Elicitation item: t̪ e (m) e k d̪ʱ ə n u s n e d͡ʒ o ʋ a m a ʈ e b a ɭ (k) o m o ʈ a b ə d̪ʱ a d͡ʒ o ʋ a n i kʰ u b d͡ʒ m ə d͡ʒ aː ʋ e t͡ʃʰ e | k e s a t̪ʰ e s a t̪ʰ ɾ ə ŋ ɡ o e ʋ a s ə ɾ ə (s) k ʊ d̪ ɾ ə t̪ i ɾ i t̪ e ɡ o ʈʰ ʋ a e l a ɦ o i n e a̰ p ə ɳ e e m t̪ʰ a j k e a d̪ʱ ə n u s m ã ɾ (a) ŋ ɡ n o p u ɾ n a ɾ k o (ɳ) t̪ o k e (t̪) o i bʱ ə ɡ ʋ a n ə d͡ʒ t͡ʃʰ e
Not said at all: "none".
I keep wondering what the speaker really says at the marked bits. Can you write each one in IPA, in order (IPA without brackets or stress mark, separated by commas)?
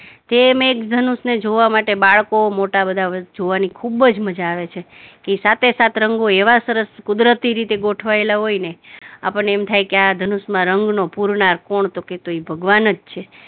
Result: m, k, s, ə, ɳ, t̪